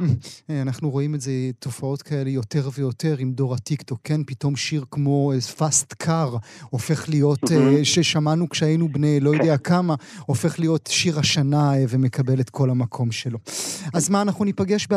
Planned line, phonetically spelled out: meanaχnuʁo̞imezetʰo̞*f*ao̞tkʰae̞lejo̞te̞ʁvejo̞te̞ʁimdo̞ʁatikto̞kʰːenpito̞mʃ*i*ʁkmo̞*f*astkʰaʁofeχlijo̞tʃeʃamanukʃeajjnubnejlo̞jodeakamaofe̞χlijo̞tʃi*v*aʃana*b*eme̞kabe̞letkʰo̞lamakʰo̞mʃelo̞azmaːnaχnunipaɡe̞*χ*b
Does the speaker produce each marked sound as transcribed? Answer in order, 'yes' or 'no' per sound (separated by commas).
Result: yes, yes, yes, no, no, no